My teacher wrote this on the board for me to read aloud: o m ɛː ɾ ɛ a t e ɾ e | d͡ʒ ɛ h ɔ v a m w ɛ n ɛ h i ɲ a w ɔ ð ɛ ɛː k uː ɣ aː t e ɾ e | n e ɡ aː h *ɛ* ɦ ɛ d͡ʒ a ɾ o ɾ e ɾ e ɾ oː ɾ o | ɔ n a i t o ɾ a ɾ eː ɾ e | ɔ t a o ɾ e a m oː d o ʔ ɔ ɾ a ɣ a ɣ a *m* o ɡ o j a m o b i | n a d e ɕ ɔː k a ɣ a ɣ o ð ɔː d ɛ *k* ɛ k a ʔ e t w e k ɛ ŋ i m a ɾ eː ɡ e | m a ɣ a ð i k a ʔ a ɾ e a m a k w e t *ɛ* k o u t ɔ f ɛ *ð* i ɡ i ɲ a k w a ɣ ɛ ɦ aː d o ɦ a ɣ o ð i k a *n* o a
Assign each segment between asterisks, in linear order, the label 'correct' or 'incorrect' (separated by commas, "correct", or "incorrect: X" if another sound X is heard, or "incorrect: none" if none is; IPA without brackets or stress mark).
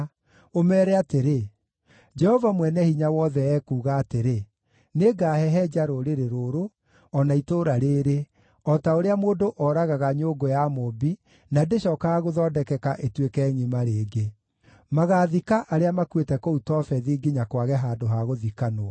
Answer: correct, incorrect: ɲ, correct, correct, correct, correct